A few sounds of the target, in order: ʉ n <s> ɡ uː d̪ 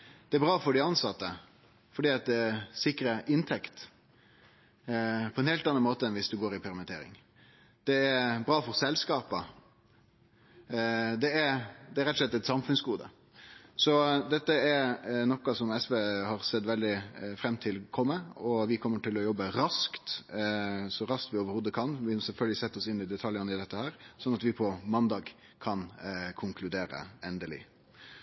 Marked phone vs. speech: correct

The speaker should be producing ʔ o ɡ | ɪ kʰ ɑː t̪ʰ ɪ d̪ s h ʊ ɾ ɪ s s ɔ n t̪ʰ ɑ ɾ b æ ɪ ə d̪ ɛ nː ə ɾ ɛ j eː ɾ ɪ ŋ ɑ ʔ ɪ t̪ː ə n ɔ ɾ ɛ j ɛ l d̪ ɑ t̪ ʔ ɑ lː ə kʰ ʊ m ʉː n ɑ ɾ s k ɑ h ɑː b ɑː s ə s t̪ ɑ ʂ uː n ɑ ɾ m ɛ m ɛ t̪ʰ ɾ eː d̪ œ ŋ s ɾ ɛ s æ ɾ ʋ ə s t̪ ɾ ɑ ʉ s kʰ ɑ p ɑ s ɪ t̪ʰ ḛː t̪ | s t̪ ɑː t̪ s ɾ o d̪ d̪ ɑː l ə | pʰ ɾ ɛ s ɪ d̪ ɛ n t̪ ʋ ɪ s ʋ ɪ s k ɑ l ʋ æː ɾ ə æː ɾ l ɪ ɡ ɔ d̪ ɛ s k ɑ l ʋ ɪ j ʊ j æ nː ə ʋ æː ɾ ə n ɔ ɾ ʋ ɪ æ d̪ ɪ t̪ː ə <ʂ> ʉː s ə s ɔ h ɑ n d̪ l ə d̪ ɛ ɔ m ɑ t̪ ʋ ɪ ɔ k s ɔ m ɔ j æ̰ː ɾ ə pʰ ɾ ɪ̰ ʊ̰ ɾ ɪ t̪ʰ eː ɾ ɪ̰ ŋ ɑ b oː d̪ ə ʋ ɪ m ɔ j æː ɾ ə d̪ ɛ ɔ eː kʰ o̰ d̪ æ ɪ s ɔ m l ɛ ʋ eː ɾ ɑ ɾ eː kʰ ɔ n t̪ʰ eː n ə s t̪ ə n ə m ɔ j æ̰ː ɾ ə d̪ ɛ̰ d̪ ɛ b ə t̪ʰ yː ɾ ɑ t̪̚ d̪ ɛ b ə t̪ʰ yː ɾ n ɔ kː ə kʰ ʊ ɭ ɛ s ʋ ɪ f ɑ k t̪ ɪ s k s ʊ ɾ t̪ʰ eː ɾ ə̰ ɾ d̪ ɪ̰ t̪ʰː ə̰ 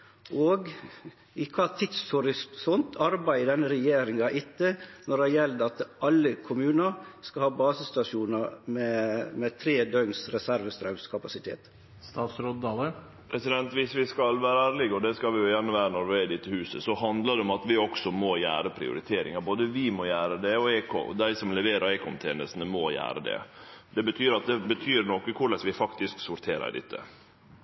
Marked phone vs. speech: incorrect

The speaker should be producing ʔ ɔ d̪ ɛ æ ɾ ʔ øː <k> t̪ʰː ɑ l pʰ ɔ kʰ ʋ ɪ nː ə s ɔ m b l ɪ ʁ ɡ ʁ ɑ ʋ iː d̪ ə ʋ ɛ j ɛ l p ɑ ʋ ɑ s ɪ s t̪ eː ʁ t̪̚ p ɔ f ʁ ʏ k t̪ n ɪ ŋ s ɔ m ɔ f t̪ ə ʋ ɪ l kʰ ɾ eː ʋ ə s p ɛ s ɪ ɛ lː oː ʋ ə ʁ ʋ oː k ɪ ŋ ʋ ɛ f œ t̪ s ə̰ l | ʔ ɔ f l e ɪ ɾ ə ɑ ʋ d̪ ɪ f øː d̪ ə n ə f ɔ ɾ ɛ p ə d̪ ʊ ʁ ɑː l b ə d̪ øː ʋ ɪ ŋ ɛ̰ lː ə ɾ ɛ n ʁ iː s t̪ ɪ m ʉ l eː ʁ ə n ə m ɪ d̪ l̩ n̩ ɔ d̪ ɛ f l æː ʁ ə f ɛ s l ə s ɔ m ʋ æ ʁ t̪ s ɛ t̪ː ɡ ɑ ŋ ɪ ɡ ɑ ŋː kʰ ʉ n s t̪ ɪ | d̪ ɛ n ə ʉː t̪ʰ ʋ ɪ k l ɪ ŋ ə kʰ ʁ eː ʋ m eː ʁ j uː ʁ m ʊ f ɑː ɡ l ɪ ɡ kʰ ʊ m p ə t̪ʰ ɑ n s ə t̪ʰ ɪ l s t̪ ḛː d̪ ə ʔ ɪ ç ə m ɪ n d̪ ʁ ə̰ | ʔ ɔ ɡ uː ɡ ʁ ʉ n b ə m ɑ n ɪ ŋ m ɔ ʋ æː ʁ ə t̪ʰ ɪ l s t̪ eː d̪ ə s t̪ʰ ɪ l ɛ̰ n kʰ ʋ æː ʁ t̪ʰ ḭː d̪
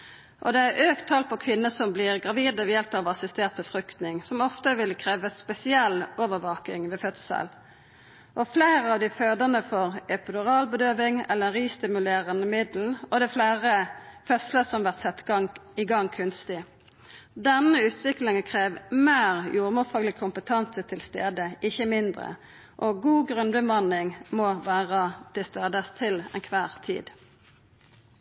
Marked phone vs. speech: correct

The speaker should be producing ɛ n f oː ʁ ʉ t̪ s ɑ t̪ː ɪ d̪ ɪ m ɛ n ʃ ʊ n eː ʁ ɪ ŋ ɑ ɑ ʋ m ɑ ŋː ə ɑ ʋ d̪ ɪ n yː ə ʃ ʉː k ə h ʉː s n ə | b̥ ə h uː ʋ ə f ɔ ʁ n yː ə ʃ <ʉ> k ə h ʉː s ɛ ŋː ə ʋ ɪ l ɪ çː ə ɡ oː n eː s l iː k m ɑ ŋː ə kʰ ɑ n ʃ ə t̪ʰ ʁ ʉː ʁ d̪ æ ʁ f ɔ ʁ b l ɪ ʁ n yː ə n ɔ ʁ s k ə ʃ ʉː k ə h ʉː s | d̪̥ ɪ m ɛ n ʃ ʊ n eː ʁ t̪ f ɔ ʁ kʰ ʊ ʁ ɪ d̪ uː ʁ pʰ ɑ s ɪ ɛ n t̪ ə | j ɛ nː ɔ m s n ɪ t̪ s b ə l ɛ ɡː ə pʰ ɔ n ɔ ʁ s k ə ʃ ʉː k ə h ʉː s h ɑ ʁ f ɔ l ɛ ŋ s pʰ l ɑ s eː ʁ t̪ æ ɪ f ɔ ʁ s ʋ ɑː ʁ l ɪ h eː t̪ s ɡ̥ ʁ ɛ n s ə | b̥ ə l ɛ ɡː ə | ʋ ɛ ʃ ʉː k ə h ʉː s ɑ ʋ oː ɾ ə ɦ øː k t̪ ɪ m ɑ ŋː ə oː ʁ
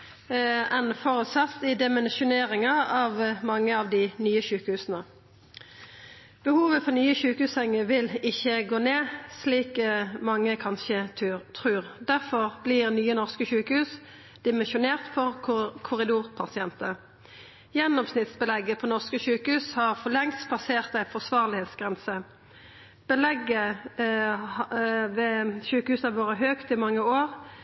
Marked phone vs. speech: incorrect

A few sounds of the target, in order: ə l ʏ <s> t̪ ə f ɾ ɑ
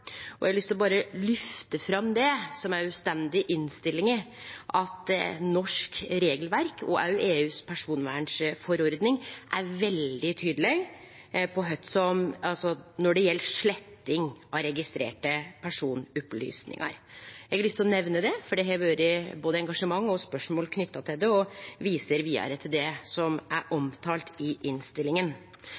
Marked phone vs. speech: incorrect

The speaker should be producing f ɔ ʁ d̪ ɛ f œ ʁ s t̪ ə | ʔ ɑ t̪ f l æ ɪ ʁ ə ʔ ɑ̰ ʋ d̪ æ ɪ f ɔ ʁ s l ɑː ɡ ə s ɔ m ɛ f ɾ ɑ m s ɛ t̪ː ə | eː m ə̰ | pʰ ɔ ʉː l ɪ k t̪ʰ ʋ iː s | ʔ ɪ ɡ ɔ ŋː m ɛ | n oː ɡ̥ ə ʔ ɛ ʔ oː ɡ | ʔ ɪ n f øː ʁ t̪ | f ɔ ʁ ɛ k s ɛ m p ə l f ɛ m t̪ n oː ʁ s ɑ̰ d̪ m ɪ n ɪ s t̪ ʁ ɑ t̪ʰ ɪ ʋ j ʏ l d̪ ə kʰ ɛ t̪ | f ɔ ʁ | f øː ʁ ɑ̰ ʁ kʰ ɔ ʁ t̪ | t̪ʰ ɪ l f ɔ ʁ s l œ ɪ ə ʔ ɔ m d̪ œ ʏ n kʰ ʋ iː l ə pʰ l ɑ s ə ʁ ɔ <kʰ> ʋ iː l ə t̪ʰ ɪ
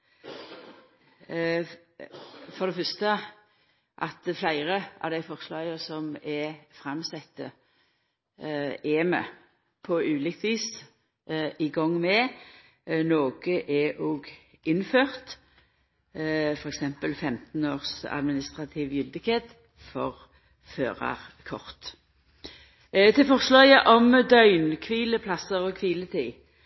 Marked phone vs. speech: correct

